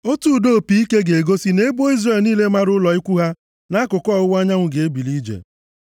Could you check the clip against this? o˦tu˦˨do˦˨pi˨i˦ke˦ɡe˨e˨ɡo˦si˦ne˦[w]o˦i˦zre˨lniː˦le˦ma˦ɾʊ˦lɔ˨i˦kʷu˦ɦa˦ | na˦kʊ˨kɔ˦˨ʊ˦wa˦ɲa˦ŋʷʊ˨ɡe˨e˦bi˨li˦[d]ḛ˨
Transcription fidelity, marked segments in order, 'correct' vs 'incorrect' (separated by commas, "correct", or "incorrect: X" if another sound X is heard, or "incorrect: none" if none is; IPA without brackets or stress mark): incorrect: b, incorrect: d͡ʒ